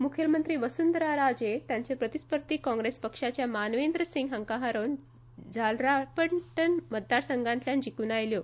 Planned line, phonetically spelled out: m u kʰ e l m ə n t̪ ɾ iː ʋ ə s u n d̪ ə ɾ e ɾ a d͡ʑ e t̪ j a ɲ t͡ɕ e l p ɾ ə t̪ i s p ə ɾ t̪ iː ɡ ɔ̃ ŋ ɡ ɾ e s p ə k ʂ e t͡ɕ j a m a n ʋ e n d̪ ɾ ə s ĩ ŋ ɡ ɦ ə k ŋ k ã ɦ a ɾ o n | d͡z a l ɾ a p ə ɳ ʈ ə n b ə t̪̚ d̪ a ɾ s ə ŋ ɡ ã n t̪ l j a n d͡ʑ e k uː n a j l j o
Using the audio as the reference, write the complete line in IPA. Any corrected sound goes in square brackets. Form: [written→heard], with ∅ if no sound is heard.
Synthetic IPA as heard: m u kʰ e l m ə n t̪ ɾ iː ʋ ə s u n d̪ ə ɾ [e→a] ɾ a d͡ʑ e t̪ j a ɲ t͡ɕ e [l→∅] p ɾ ə t̪ i s p ə ɾ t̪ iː [ɡ→k] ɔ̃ ŋ ɡ ɾ e s p ə k ʂ [e→a] t͡ɕ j a m a n ʋ e n d̪ ɾ ə s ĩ ŋ ɡ ɦ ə [k→∅] ŋ k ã ɦ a ɾ o n | d͡z a l ɾ a p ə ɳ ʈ ə n [b→m] ə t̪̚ d̪ a ɾ s ə ŋ ɡ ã n t̪ l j a n d͡ʑ [e→i] k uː n a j l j o